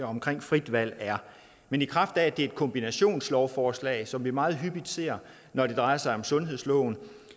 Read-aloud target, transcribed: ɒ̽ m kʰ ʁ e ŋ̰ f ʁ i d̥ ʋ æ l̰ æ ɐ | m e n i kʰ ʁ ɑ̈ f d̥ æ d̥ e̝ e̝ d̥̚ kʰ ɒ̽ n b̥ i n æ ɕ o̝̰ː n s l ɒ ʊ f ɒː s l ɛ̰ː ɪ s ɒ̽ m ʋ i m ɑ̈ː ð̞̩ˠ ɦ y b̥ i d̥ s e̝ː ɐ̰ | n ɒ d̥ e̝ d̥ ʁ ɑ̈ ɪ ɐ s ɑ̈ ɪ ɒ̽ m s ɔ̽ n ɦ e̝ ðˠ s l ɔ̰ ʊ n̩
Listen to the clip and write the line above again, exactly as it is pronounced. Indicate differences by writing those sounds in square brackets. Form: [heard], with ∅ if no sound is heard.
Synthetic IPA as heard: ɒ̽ m kʰ ʁ e ŋ̰ f ʁ i d̥ ʋ æ l̰ æ ɐ | m e n i kʰ ʁ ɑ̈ f d̥ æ d̥ e̝ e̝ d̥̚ kʰ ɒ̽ [m] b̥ i n æ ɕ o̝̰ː n s l ɒ ʊ f ɒː s l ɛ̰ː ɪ s ɒ̽ m ʋ i m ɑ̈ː ð̞̩ˠ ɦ y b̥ i d̥ s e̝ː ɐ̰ | n ɒ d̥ e̝ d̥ ʁ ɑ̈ ɪ ɐ s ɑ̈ ɪ ɒ̽ m s ɔ̽ n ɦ e̝ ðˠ s l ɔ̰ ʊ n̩

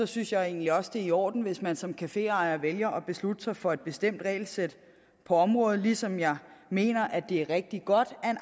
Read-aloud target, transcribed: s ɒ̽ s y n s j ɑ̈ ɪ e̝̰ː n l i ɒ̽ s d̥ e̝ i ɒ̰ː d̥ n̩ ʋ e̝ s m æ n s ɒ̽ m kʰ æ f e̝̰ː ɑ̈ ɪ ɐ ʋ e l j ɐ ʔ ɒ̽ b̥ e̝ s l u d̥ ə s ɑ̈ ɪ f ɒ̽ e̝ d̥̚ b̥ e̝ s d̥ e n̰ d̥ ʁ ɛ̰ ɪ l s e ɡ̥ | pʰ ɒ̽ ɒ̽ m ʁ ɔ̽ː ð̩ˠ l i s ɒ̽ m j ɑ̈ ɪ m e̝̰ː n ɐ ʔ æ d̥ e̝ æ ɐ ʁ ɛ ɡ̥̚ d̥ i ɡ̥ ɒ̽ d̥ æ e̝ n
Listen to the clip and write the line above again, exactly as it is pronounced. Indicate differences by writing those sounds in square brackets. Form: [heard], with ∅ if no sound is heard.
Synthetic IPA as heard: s ɒ̽ s y n s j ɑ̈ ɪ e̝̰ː n l i ɒ̽ s d̥ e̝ i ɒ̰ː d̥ n̩ ʋ e̝ s m æ n s ɒ̽ m kʰ æ f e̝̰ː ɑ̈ ɪ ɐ ʋ e l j ɐ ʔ ɒ̽ b̥ e̝ s l u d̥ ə s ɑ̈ ɪ f ɒ̽ e̝ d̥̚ b̥ e̝ s d̥ e [m̰] d̥ ʁ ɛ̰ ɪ l s e [d̥] | pʰ ɒ̽ ɒ̽ m ʁ ɔ̽ː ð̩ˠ l i s ɒ̽ m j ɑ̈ ɪ m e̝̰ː n ɐ ʔ æ d̥ e̝ æ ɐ ʁ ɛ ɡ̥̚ d̥ i ɡ̥ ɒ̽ d̥ æ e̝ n

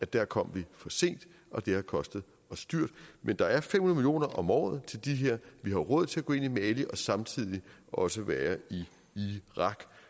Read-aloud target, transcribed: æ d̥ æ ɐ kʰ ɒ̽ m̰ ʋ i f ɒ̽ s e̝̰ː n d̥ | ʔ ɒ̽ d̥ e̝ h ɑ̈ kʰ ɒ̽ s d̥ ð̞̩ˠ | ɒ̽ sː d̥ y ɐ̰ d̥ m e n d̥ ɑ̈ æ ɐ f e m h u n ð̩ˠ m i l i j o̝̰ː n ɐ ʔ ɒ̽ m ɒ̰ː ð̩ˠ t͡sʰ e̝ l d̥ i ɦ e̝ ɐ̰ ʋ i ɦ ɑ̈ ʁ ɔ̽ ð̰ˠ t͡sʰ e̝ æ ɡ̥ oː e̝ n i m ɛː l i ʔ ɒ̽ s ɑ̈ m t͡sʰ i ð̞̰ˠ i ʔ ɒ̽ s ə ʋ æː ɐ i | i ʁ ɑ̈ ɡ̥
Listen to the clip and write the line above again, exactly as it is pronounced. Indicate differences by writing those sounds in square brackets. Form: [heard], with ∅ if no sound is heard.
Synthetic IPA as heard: æ d̥ æ ɐ kʰ ɒ̽ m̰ ʋ i f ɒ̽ s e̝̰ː n d̥ | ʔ ɒ̽ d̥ e̝ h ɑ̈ kʰ ɒ̽ s d̥ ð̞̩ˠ | ɒ̽ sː d̥ y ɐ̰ d̥ m e n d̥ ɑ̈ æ ɐ f e m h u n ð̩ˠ m i l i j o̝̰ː n ɐ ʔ ɒ̽ m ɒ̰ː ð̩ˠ t͡sʰ e̝ l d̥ i ɦ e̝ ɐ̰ ʋ i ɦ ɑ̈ ʁ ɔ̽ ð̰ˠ t͡sʰ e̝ æ ɡ̥ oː e̝ n i m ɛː l i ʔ ɒ̽ s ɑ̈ m t͡sʰ i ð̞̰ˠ i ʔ ɒ̽ s ə ʋ æː ɐ i | i ʁ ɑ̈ ɡ̥

